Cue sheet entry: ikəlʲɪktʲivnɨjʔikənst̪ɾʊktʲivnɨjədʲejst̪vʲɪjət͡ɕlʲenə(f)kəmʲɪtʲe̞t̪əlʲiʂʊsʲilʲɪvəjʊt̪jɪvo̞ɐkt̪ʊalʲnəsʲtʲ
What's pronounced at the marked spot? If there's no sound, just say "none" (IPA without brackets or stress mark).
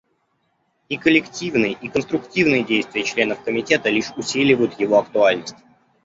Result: f